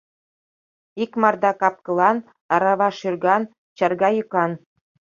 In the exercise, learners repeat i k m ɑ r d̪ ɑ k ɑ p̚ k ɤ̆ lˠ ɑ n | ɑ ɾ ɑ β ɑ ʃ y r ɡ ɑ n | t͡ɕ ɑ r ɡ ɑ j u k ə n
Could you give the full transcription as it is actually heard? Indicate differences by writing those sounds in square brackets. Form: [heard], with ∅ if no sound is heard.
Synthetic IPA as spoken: i k m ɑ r d̪ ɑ k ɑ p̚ k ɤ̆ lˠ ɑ n | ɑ ɾ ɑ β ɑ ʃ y r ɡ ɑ n | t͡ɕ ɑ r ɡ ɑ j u k [ɑ] n

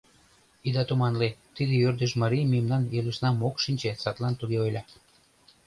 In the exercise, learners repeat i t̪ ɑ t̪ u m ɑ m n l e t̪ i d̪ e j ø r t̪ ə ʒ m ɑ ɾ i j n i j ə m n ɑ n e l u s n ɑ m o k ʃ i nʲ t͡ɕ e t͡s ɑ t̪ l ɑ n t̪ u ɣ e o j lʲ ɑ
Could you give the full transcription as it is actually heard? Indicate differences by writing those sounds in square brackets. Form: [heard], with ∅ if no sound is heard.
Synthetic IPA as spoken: i [d̪] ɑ t̪ u m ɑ [∅] n l e t̪ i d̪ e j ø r [d̪] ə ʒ m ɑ ɾ i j [m] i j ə m n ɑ n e l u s n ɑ m o k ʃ i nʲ t͡ɕ e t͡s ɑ t̪ l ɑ n t̪ u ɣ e o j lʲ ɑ

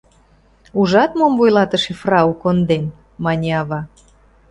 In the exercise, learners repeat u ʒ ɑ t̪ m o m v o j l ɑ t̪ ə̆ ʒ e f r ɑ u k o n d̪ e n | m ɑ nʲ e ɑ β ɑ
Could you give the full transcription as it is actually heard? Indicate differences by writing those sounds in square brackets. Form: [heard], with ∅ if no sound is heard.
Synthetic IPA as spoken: u ʒ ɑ t̪ m o m v o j l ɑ t̪ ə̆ [ʃ] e f r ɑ u k o n d̪ e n | m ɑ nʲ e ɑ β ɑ

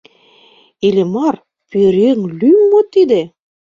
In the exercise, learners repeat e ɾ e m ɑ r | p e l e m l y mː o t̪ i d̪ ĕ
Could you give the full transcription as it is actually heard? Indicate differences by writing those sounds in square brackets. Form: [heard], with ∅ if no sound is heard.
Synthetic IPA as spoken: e [l] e m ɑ r | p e [ɾ] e [ŋ] l y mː o t̪ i d̪ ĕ

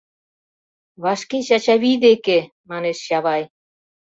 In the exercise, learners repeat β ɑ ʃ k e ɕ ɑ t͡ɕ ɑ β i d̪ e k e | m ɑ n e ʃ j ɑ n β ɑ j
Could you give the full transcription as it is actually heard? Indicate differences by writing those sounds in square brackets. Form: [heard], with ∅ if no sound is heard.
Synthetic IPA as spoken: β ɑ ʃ k e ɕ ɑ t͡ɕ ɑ β i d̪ e k e | m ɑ n e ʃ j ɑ [∅] β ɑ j

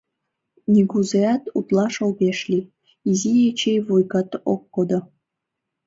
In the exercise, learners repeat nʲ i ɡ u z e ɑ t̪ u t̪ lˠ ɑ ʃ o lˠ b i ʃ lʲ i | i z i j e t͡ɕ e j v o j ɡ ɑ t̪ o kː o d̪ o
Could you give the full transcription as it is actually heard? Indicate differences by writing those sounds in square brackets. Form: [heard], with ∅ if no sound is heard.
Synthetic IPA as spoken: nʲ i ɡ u z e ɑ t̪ u t̪ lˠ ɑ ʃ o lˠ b [e] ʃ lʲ i | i z i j e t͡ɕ e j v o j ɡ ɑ t̪ o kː o d̪ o

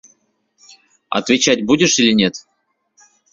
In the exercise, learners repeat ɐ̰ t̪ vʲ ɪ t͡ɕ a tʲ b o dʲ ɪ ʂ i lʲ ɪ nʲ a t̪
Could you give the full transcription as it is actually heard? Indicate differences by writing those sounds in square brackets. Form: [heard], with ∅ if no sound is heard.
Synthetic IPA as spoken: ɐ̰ t̪ vʲ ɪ t͡ɕ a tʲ b [u] dʲ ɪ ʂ i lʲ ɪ nʲ [e] t̪

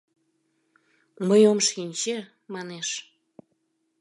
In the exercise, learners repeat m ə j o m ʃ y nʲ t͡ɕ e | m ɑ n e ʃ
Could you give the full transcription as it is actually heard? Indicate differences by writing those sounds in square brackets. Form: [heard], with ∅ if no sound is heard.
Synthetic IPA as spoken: m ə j o m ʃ [i] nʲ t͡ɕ e | m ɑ n e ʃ

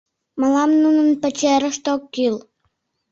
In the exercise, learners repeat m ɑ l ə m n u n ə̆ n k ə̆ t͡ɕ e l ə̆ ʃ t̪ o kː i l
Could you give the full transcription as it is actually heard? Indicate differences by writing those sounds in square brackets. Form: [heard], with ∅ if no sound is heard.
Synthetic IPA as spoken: m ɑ l [ɑ] m n u n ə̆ n [p] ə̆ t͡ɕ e [ɾ] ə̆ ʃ t̪ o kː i l

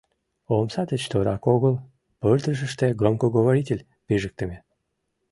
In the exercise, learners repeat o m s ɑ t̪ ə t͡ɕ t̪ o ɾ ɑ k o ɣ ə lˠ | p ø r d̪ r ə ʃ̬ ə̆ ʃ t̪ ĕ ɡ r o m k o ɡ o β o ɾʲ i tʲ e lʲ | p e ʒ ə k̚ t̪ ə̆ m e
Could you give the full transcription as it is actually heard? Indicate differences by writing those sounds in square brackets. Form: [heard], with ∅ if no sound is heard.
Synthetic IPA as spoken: o m s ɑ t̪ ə t͡ɕ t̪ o ɾ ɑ k o ɣ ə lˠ | p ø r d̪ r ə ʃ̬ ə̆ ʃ t̪ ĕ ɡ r o m k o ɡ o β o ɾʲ i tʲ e lʲ | p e ʒ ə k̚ t̪ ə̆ m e

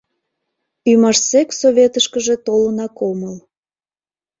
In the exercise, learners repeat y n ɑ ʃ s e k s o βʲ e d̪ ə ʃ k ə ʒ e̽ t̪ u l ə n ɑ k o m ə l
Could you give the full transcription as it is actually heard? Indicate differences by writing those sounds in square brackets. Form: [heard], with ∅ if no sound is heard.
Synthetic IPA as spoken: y [m] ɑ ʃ s e k s o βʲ e [t̪] ə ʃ k ə ʒ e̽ t̪ [o] l ə n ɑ k o m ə l

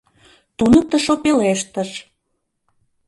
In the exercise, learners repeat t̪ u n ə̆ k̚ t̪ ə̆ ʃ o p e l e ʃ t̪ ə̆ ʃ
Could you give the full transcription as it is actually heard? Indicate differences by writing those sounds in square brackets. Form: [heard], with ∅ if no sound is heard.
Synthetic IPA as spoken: t̪ u n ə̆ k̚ t̪ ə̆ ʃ o p e l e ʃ t̪ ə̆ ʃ

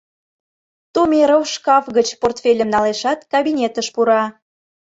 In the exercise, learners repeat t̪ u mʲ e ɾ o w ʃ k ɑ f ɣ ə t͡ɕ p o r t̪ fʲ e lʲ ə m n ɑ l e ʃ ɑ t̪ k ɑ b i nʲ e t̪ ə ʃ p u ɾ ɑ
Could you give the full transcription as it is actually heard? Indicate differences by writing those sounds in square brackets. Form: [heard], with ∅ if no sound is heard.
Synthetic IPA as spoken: t̪ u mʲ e ɾ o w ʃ k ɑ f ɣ ə t͡ɕ p o r t̪ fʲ e lʲ ə m n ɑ l e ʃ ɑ t̪ k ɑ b i nʲ e t̪ ə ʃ p u ɾ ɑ

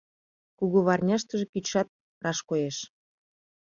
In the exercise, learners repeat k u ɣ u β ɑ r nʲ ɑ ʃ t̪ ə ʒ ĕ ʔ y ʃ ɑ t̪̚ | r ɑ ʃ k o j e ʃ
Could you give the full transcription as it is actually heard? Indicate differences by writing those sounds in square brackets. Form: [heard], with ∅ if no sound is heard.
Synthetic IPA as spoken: k u ɣ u β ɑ r nʲ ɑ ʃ t̪ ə ʒ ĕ [k] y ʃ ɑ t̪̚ | r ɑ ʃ k o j e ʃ

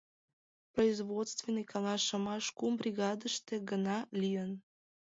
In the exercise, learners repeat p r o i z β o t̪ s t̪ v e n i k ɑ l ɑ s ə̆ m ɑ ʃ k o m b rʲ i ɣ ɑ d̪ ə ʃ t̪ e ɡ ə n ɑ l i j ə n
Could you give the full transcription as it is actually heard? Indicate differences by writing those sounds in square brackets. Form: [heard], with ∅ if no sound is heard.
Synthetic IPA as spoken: p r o i z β o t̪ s t̪ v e n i k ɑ l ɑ [ʃ] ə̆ m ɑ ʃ k [u] m b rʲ i ɣ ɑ d̪ ə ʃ t̪ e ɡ ə n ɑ l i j ə n

